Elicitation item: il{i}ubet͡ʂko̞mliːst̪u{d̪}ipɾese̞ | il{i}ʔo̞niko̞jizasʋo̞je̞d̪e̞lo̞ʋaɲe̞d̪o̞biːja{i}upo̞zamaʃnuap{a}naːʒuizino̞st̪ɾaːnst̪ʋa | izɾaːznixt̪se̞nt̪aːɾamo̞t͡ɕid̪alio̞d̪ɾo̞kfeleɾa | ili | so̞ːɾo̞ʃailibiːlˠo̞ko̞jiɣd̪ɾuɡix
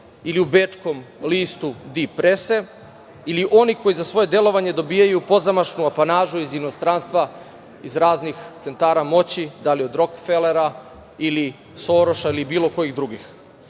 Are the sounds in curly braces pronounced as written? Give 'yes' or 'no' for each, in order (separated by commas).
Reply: yes, yes, yes, no, yes